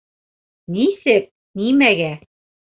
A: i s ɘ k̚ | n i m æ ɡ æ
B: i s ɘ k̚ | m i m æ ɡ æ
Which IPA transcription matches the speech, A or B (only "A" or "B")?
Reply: A